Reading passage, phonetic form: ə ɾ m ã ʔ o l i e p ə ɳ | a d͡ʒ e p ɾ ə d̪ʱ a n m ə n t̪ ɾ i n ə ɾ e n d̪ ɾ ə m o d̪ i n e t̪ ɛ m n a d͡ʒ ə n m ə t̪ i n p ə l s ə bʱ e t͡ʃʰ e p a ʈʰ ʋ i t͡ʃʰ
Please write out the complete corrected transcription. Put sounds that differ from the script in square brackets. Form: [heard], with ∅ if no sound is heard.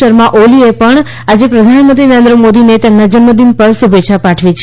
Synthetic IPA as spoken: ə ɾ m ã ʔ o l i e p ə ɳ | a d͡ʒ e p ɾ ə d̪ʱ a n m ə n t̪ ɾ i n ə ɾ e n d̪ ɾ ə m o d̪ i n e t̪ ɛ m n a d͡ʒ ə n m ə [d̪] i n p ə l s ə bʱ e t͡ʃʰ [a] p a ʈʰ ʋ i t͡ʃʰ